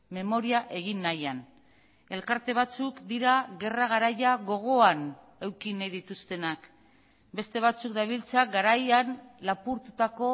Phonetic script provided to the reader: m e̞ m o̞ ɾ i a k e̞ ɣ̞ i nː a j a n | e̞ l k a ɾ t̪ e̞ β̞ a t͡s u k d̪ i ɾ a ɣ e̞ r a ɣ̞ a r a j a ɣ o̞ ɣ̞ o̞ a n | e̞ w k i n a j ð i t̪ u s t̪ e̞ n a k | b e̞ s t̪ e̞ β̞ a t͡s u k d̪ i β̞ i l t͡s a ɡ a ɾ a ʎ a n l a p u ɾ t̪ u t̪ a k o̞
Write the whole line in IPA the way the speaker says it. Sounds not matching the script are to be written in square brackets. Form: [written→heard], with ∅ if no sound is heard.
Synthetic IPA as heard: m e̞ m o̞ ɾ i a [k→ʔ] e̞ ɣ̞ i nː a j a n | e̞ l k a ɾ t̪ e̞ β̞ a t͡s u k d̪ i ɾ a ɣ e̞ r a ɣ̞ a [r→ɾ] a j a ɣ o̞ ɣ̞ o̞ a n | e̞ w k i n a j ð i t̪ u s t̪ e̞ n a k | b e̞ s t̪ e̞ β̞ a t͡s u k d̪ [i→a] β̞ i l t͡s a ɡ a ɾ a [ʎ→j] a n l a p u ɾ t̪ u t̪ a k o̞